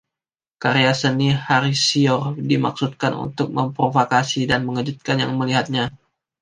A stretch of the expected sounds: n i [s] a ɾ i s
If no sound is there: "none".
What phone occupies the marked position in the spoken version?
h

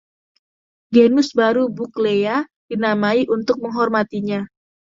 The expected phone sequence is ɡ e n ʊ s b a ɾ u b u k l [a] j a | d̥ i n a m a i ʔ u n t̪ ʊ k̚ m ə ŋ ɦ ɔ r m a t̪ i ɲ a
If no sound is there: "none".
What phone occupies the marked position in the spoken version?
e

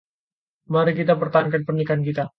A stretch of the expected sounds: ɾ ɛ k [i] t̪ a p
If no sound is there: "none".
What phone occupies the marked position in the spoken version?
i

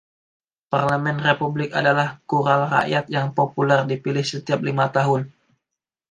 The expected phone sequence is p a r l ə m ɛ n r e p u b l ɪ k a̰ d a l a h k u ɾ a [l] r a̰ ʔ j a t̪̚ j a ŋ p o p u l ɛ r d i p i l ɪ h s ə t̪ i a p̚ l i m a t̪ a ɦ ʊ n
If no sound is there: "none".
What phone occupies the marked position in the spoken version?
l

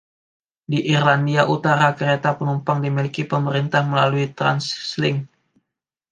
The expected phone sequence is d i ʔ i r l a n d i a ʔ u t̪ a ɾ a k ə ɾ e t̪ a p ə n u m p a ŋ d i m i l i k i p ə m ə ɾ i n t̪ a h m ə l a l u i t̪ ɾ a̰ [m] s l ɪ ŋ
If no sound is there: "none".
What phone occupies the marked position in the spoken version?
n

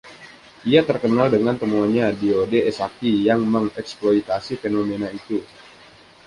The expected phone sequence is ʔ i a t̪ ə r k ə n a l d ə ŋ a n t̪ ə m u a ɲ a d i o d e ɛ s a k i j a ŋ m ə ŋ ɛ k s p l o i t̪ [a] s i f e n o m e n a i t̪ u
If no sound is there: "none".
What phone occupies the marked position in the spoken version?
a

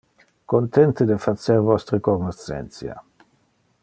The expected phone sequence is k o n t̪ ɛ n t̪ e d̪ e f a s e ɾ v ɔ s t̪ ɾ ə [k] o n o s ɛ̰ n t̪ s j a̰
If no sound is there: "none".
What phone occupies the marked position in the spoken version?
k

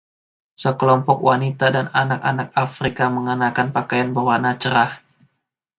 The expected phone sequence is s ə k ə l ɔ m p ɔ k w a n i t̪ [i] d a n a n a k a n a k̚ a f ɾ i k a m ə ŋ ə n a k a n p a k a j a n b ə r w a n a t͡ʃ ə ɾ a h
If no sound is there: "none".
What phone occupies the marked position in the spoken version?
a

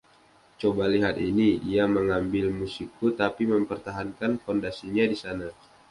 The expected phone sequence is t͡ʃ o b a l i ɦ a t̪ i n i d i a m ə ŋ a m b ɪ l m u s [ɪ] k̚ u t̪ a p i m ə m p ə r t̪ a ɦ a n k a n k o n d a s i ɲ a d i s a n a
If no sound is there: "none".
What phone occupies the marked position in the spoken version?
i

